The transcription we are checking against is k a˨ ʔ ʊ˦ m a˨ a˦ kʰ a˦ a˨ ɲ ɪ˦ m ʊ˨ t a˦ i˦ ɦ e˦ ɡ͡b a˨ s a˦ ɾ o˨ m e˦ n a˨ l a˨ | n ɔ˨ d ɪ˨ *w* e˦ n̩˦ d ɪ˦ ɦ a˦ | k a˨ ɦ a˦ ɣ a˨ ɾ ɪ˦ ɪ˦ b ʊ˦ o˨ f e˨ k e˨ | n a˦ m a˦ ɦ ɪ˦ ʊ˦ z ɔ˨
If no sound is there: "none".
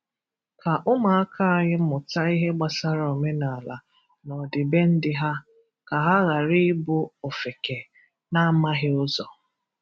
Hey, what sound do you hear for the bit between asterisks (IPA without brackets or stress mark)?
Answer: b